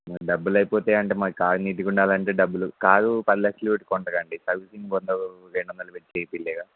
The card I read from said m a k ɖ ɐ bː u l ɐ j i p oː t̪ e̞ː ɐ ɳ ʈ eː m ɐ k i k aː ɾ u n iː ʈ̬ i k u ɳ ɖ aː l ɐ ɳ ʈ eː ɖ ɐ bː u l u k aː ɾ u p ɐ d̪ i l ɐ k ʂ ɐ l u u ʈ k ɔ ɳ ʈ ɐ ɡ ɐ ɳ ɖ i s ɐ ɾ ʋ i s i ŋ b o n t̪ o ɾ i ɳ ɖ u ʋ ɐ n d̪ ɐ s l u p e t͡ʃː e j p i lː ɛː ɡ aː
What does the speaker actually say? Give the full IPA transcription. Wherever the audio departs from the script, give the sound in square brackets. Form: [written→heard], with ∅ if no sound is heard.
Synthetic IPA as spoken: m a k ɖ ɐ bː u l ɐ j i p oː t̪ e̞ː ɐ ɳ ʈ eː m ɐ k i k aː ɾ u n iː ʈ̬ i k u ɳ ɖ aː l ɐ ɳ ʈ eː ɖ ɐ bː u l u k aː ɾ u p ɐ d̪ i l ɐ k ʂ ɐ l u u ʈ k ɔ ɳ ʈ ɐ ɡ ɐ ɳ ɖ i s ɐ ɾ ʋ i s i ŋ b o n [t̪→d̪] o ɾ [i→e] ɳ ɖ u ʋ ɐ n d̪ ɐ [s→∅] l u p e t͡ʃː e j p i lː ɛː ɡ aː